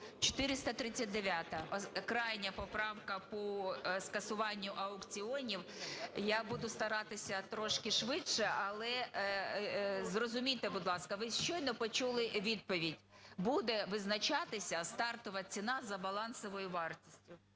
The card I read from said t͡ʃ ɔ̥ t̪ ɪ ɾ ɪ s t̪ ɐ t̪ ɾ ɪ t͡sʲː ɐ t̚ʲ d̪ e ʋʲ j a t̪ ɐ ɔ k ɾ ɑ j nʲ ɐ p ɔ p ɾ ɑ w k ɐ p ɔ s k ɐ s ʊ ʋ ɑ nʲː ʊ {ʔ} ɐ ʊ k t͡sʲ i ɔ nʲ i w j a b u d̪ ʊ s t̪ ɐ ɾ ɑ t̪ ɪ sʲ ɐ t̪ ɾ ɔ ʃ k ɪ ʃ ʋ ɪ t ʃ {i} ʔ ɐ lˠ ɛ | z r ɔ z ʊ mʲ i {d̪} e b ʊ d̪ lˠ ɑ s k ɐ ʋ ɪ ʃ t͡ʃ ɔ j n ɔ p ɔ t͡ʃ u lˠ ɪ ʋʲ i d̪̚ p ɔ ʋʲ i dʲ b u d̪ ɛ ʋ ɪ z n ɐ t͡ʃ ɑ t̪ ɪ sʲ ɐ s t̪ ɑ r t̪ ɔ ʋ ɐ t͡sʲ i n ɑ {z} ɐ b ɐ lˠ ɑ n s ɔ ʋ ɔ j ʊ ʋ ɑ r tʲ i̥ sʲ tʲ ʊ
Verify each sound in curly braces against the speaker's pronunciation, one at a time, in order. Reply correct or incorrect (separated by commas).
correct, incorrect, incorrect, correct